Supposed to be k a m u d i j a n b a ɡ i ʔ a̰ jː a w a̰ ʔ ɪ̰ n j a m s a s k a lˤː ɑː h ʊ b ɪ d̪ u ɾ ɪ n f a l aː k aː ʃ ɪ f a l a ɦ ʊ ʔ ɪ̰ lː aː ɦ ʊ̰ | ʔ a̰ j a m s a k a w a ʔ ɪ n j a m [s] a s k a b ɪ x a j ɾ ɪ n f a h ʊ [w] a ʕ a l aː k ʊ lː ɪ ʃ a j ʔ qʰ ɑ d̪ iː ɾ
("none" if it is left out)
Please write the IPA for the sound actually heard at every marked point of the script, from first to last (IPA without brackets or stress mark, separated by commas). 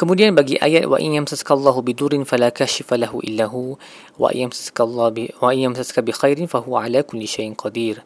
s, w